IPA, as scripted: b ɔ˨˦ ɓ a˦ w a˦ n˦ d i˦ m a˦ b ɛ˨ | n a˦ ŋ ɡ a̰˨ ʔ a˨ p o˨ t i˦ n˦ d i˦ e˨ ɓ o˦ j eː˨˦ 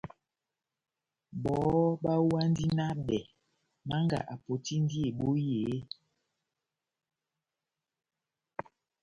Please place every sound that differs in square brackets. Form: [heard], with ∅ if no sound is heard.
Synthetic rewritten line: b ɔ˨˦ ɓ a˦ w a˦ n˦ d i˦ [n] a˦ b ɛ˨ | [m] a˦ ŋ ɡ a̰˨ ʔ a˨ p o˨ t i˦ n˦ d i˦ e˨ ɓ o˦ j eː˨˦